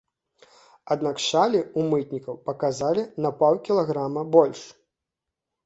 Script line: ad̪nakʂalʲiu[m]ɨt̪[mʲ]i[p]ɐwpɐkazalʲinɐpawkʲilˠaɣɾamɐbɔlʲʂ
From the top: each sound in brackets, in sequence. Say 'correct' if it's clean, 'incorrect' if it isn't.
correct, incorrect: nʲ, incorrect: k

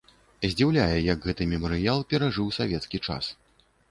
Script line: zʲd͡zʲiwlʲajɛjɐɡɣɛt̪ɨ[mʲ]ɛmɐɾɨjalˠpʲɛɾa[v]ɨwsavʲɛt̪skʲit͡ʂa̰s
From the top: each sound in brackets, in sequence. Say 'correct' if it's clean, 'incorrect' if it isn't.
correct, incorrect: ʐ

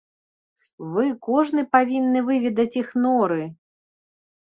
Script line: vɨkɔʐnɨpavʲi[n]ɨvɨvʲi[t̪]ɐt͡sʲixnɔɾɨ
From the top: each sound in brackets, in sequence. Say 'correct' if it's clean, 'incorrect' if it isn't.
incorrect: nː, incorrect: d̪

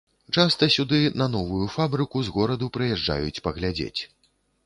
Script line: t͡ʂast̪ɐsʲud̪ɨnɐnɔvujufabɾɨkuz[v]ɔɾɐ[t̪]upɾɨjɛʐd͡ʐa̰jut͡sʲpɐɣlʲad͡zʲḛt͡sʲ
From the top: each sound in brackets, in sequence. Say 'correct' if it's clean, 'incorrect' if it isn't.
incorrect: ɣ, incorrect: d̪

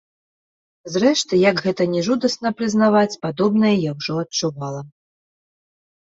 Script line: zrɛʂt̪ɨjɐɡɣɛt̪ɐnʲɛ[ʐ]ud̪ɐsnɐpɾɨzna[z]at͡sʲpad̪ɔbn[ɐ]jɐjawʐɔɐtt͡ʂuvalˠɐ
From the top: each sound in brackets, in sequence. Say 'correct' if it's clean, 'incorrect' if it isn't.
correct, incorrect: v, correct

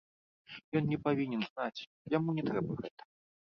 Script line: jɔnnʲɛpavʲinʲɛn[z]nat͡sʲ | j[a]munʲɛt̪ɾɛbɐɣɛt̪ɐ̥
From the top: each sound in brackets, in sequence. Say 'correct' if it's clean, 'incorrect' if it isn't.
correct, correct

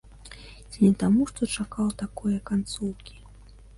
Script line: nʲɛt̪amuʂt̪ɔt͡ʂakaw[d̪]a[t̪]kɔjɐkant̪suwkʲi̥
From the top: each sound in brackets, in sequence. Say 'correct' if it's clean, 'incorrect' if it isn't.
incorrect: t̪, incorrect: none

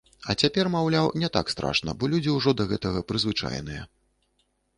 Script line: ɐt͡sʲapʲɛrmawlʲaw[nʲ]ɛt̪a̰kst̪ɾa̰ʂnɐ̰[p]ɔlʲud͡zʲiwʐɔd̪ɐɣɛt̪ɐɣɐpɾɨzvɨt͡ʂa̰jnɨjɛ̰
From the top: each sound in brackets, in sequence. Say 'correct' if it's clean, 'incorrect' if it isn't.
correct, incorrect: b

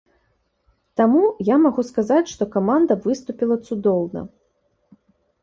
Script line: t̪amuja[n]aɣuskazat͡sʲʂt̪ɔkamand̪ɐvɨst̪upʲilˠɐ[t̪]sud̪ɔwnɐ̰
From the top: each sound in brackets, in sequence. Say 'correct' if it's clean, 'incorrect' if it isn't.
incorrect: m, correct

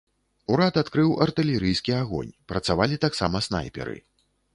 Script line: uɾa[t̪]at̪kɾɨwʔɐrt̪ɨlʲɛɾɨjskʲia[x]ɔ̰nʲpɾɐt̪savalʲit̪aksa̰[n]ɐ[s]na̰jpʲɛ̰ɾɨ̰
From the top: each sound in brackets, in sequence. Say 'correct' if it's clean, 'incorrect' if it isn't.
correct, incorrect: ɣ, incorrect: m, correct

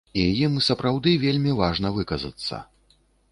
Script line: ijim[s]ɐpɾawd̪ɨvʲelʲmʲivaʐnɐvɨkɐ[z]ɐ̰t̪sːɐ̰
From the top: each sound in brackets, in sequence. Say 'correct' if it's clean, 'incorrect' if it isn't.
correct, correct

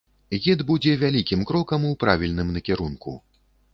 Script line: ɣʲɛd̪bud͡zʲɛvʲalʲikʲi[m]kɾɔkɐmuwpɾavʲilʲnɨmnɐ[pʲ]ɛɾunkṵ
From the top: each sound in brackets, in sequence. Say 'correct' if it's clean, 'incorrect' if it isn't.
correct, incorrect: kʲ

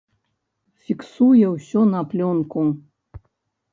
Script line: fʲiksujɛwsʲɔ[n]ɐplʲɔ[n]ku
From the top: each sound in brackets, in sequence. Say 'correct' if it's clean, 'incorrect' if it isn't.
correct, correct

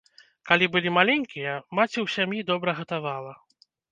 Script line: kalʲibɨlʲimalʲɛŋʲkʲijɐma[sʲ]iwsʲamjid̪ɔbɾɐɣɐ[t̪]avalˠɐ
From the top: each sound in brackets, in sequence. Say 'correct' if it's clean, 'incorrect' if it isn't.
incorrect: t͡sʲ, correct

